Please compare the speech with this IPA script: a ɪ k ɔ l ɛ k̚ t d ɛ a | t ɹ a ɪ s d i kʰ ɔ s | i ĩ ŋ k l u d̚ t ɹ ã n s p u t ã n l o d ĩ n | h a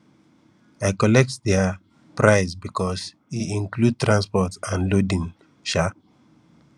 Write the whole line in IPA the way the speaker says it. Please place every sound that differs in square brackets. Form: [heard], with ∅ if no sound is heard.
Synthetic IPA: a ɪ k ɔ l ɛ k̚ t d ɛ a | [p] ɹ a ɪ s [b] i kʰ ɔ s | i ĩ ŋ k l u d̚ t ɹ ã n s p [ɔ] t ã n l o d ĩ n | [ʃ] a